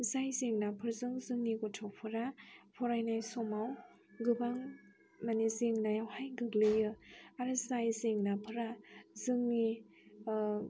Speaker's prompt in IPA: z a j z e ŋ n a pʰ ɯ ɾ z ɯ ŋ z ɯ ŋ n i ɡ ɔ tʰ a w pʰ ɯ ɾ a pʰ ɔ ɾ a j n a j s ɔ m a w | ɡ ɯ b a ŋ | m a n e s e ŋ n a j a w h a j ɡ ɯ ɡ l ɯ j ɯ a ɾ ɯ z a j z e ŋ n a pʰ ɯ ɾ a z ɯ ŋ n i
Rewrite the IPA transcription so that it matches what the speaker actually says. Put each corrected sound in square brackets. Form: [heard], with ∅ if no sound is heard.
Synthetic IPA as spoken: z a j z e ŋ n a pʰ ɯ ɾ z ɯ ŋ z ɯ ŋ n i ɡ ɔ tʰ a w pʰ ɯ ɾ a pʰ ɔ ɾ a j n a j s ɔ m a w | ɡ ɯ b a ŋ | m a n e [z] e ŋ n a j a w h a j ɡ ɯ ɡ l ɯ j ɯ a ɾ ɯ z a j z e ŋ n a pʰ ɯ ɾ a z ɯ ŋ n i